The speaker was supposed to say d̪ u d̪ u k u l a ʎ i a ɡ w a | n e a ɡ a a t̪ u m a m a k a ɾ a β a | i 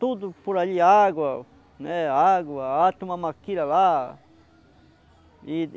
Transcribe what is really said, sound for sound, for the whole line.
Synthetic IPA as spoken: t̪ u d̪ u p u ɾ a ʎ i a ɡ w a | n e a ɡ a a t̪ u m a m a k i ɾ a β a | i

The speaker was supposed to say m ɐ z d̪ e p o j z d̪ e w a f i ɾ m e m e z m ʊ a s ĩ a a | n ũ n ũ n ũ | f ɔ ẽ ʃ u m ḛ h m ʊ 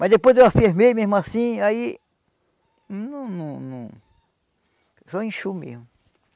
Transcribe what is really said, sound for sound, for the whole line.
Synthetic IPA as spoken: m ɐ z d̪ e p o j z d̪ e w a f i ɾ m e m e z m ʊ a s ĩ a i | n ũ n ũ n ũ | s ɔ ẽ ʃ u m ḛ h m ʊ

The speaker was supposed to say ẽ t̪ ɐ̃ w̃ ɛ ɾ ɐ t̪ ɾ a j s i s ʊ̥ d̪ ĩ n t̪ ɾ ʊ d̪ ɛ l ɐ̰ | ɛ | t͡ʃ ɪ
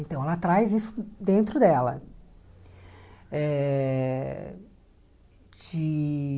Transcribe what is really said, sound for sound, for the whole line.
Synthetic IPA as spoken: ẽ t̪ ɐ̃ w̃ ɛ l ɐ t̪ ɾ a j z i s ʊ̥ d̪ ẽ n t̪ ɾ ʊ d̪ ɛ l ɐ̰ | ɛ | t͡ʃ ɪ

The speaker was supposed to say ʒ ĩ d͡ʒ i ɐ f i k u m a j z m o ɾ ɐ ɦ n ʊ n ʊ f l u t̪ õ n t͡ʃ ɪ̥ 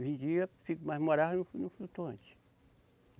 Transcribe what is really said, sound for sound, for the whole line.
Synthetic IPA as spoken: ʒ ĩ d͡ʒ i ɐ f i k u m a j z m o ɾ a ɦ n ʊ n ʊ f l u t̪ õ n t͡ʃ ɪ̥

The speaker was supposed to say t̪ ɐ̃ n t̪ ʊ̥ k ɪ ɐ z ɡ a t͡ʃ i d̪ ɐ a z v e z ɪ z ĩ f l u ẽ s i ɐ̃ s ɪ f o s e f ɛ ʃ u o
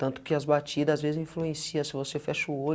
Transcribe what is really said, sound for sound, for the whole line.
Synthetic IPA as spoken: t̪ ɐ̃ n t̪ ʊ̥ k ɪ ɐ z b a t͡ʃ i d̪ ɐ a z v e z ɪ z ĩ f l u ẽ s i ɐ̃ s ɪ v o s e f ɛ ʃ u o

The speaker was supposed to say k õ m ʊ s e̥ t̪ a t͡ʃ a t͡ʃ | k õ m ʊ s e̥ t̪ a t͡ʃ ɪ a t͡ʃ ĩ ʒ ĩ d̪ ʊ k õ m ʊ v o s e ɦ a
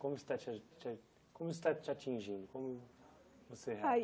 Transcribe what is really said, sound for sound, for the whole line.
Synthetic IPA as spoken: k õ m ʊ s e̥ t̪ a t͡ʃ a t͡ʃ | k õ m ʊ s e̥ t̪ a t͡ʃ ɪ a t͡ʃ ĩ ʒ ĩ d̪ ʊ k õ m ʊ v o s e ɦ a

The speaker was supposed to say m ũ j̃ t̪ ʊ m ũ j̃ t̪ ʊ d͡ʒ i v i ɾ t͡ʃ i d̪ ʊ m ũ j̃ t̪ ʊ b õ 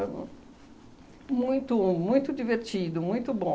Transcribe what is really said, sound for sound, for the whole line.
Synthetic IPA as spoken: m ũ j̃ t̪ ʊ m ũ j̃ t̪ ʊ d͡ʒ i v e ɾ t͡ʃ i d̪ ʊ m ũ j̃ t̪ ʊ b õ

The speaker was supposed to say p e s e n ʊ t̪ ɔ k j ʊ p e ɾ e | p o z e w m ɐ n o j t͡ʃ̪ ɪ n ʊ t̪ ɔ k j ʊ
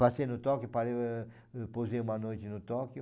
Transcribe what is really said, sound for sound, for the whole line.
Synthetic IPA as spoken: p a s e n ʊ t̪ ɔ k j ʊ p a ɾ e | p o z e u m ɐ n o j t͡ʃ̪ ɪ n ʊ t̪ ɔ k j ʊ

